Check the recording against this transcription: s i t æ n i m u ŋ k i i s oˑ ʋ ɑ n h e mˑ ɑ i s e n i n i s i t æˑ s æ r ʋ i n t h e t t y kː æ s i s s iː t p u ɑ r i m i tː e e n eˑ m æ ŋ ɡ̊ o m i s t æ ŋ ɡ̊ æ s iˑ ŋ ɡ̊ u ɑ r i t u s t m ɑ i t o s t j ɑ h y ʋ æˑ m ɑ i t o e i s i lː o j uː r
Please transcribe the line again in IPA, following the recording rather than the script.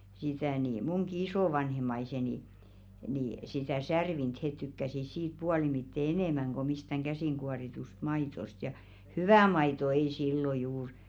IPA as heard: s i t æ n i m u ŋ k i i s oˑ ʋ ɑ n h e mˑ ɑ i s e n i n i s i t æˑ s æ r ʋ i n t h e t t y kː æ s i s s iː t p u ɑ l i m i tː e e n eˑ m æ ŋ ɡ̊ o m i s t æ ŋ ɡ̊ æ s iˑ ŋ ɡ̊ u ɑ r i t u s t m ɑ i t o s t j ɑ h y ʋ æˑ m ɑ i t o e i s i lː o j uː r

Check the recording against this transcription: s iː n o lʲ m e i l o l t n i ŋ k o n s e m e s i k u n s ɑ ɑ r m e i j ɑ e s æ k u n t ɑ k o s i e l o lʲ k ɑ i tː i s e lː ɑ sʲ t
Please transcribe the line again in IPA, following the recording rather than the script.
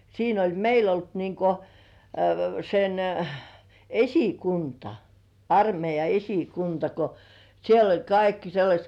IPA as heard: s iː n o lʲ m e i l o l t n i ŋ k o s e n e s i k u n t ɑ ɑ r m e i j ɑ e s i k u n t ɑ k o s i e l o lʲ k ɑ i kː i s e lː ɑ sʲ t

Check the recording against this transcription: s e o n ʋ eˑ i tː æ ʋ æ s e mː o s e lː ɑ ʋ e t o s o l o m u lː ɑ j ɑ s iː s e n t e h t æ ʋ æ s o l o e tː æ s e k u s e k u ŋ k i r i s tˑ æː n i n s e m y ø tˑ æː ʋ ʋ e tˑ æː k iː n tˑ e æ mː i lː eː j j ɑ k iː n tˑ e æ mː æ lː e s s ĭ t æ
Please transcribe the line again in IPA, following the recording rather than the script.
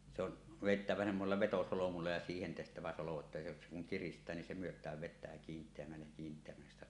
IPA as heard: s e o n ʋ eˑ i tː æ ʋ æ s e mː o s e lː ɑ ʋ e t o s o l o m u lː ɑ j ɑ s iː h e n t e h t æ ʋ æ s o l o e tː æ s e k u s e k u ŋ k i r i s tˑ æː n i n s e m y ø tˑ æː ʋ ʋ e tˑ æː k iː n tˑ e æ mː æ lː e j j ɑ k iː n tˑ e æ mː æ lː e s s ĭ t æ

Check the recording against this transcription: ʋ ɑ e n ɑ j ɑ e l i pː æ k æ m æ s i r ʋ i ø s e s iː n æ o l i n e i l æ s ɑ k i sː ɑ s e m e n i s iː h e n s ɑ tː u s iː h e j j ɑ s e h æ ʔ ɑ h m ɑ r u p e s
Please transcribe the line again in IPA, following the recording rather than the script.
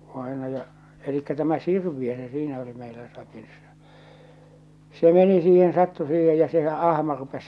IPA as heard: ʋ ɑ e n ɑ j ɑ e l i kː æ t æ m æ s i r ʋ i ø s e s iː n æ o l i m e i l æ s ɑ k i sː ɑ s e m e n i s iː h e n s ɑ tː u s iː h e j j ɑ s e h æ ʔ ɑ h m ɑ r u p e s

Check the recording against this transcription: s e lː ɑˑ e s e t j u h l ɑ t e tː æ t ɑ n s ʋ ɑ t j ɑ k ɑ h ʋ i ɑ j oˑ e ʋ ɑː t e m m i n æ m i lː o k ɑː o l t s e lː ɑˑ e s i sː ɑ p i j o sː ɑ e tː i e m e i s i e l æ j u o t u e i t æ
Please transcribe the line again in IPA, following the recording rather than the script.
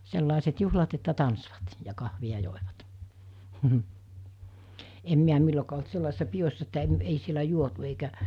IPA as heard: s e lː ɑˑ e s e t j u h l ɑ t e tː æ t ɑ n s ʋ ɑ t j ɑ k ɑ h ʋ i ɑ j oˑ e ʋ ɑ t e m m i æ m i lː o k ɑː o l t s e lː ɑˑ e s i sː ɑ p i j o sː ɑ e tː æ e m e i s i e l æ j u o t u e i k æ

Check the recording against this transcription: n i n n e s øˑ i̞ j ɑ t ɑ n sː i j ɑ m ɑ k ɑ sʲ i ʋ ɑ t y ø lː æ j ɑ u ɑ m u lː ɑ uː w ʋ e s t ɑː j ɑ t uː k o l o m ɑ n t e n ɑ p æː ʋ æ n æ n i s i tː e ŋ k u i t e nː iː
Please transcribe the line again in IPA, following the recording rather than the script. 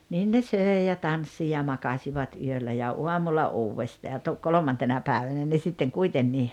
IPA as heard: n iː n n e s øˑ i̞ j ɑ t ɑ n sː i j ɑ m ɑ k ɑ sʲ i ʋ ɑ t y ø lː æ j ɑ u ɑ m u lː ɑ uː w ʋ e s t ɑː j ɑ t u k o l o m ɑ n t e n ɑ p æː ʋ æ n æ n e s i tː e ŋ k u i t e nː iː

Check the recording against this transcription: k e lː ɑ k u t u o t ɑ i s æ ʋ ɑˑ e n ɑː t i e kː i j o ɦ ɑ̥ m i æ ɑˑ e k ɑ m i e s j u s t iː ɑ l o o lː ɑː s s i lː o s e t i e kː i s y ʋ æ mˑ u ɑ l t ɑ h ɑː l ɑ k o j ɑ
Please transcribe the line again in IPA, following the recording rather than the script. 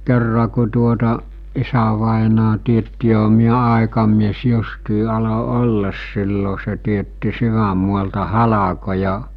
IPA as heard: k e rː ɑ k u t u o t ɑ i s æ ʋ ɑˑ e n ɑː t i e tː i j o ɦ ɑ̥ m i æ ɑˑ e k ɑ m i e s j u s t iː ɑ l o o lː ɑ s s i lː o s e t i e tː i s y ʋ æ mˑ u ɑ l t ɑ h ɑ l ɑ k o j ɑ

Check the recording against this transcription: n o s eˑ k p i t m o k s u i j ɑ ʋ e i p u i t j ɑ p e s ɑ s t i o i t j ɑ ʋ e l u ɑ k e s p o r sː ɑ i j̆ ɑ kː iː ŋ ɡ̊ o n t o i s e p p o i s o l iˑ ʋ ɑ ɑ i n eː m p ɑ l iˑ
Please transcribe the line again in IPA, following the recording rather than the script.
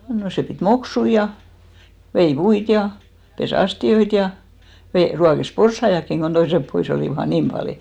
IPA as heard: n o s eˑ p i t m o k s u i j ɑ ʋ e i p u i t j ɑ p e s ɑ s t i o i t j ɑ ʋ e r u ɑ k e s p o r sː ɑ i j̆ ɑ kː i ŋ ɡ̊ o n t o i s e p p o i s o l iˑ ʋ ɑ ɑ i n iː m p ɑ l iˑ

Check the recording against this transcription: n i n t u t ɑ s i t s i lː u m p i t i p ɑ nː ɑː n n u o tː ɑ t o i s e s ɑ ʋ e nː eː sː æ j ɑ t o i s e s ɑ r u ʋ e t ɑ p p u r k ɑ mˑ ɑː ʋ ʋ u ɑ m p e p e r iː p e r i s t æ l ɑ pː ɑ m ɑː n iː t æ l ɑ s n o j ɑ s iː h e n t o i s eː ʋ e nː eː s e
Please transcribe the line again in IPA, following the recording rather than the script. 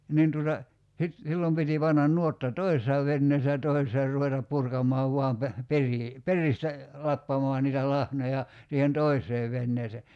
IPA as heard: n i n t u t ɑ s i t s i lː o m p i t i p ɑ nː ɑ n n u o tː ɑ t o i s e s ɑ ʋ e nː eː sː æ j ɑ t o i s e s ɑ r u ʋ e t ɑ p p u r k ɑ mˑ ɑː ʋ ʋ u ɑ m p e p e r iː p e r i s t æ l ɑ pː ɑ m ɑː n iː t æ l ɑ h n o j ɑ s iː h e n t o i s eː ʋ e nː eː s e

